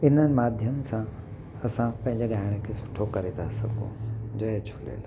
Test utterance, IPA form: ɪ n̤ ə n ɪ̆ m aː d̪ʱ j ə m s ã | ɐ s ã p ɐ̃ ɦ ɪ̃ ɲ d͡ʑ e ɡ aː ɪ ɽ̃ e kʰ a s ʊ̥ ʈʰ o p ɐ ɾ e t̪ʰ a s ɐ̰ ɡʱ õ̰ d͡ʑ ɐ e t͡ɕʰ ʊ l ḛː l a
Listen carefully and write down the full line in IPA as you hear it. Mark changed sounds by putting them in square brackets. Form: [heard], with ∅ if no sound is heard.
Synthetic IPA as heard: ɪ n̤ ə n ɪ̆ m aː d̪ʱ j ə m s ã | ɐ s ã p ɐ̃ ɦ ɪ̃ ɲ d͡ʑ e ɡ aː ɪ ɽ̃ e kʰ [e] s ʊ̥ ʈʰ o [k] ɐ ɾ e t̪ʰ a s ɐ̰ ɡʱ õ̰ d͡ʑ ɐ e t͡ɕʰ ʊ l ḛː l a